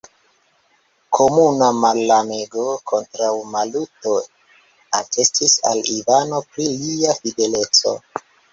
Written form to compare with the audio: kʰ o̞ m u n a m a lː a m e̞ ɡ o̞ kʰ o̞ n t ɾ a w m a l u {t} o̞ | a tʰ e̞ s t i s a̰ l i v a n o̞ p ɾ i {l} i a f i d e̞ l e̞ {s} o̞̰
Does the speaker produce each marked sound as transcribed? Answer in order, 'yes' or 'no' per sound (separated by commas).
yes, yes, no